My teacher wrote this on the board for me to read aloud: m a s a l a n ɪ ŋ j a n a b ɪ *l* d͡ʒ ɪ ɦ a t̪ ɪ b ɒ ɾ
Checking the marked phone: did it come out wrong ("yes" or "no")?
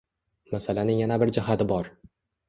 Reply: yes